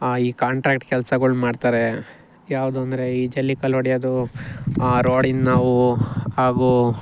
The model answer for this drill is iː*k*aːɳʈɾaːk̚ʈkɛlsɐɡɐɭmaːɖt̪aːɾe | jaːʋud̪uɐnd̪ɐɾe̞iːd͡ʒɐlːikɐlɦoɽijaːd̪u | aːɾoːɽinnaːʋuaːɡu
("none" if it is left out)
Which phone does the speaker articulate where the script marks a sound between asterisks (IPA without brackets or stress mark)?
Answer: k